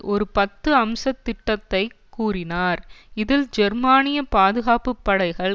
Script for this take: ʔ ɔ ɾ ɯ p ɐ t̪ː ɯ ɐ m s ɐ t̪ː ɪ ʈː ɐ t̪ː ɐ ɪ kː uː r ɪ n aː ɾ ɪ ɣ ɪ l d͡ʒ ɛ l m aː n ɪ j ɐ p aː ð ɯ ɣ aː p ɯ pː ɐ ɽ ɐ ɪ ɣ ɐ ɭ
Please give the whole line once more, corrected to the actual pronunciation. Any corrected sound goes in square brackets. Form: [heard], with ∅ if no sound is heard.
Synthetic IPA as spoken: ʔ ɔ ɾ ɯ p ɐ t̪ː ɯ ɐ m s ɐ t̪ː ɪ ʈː ɐ t̪ː ɐ ɪ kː uː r ɪ n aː ɾ ɪ [ð] ɪ l d͡ʒ ɛ [ɾ] m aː n ɪ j ɐ p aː ð ɯ ɣ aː p ɯ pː ɐ ɽ ɐ ɪ ɣ ɐ ɭ